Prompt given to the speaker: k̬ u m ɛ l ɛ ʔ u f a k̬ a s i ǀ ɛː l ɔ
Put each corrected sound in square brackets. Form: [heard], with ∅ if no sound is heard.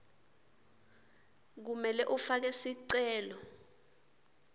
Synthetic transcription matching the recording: k̬ u m ɛ l ɛ ʔ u f a k̬ [ɛ] s i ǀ ɛː l ɔ